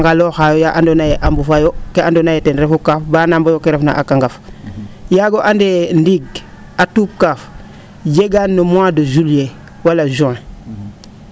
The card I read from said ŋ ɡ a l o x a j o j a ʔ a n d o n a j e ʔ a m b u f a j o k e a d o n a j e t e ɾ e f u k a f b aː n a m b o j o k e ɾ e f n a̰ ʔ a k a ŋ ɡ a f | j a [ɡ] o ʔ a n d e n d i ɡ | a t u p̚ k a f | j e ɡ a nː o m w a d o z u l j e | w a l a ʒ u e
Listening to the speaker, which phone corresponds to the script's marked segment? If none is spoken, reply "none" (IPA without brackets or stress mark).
ɡ